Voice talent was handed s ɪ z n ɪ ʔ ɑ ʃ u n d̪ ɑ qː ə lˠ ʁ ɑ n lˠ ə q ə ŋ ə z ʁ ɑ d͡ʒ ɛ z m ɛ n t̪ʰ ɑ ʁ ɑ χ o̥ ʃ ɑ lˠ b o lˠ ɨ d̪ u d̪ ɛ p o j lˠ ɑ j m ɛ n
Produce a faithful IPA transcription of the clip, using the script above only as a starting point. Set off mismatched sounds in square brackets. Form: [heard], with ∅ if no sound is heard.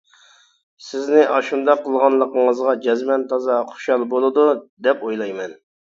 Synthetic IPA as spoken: s ɪ z n ɪ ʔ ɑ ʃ u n d̪ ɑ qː ə lˠ ʁ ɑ n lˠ ə q ə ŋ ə z ʁ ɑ d͡ʒ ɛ z m ɛ n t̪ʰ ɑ [z] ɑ χ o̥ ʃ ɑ lˠ b o lˠ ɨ d̪ u d̪ ɛ p o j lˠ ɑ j m ɛ n